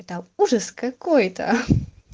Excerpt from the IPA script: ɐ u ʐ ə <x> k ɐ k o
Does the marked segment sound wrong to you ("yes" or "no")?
yes